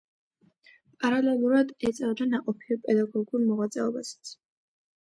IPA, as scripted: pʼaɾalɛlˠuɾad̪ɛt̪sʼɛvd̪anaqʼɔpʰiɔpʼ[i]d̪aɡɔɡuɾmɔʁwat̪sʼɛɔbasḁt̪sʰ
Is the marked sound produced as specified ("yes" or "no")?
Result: no